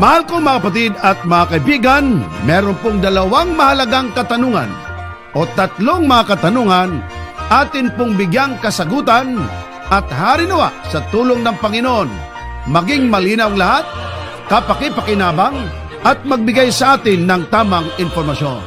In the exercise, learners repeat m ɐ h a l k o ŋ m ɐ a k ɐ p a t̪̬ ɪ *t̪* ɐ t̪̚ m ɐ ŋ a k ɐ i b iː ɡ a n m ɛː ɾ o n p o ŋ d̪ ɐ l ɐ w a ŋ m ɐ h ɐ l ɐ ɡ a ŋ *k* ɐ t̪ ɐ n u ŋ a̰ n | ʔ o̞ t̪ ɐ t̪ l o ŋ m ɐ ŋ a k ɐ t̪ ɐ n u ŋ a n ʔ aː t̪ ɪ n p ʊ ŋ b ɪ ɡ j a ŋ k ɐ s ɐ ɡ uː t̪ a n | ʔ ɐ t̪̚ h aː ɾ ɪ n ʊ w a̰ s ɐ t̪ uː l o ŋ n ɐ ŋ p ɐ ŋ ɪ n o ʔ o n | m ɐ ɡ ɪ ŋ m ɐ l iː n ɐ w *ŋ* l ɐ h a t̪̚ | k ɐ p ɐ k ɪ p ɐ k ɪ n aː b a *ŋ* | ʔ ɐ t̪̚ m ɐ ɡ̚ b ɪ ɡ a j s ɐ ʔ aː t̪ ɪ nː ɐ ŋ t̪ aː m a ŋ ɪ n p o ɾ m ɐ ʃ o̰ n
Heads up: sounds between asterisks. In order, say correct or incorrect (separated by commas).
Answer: incorrect, correct, correct, correct